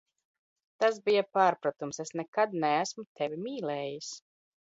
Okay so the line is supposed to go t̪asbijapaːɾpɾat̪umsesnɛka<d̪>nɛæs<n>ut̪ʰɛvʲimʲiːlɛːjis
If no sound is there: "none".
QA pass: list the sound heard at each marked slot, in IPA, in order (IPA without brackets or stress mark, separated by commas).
d̪, m